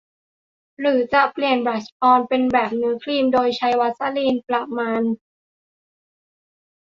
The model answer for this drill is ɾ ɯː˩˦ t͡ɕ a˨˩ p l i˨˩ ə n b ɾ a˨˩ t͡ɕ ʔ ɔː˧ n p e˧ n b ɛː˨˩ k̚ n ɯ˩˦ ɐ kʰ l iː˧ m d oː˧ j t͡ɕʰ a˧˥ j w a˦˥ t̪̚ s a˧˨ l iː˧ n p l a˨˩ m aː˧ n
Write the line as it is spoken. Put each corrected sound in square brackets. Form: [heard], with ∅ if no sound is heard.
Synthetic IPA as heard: ɾ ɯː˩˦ t͡ɕ a˨˩ p l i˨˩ ə n b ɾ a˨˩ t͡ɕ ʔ ɔː˧ n p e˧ n b ɛː˨˩ [p̚] n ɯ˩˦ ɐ kʰ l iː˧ m d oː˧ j t͡ɕʰ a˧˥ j w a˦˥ t̪̚ s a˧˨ l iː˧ n p l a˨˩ m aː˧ n